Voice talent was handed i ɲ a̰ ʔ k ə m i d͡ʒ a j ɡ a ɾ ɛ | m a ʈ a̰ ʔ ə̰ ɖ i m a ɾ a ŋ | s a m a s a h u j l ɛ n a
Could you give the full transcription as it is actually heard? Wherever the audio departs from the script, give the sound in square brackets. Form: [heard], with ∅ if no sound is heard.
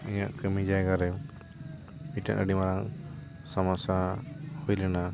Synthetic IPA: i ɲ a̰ ʔ k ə m i d͡ʒ a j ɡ a ɾ ɛ | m [i] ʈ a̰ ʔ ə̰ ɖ i m a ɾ a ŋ | s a m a s a h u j l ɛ n a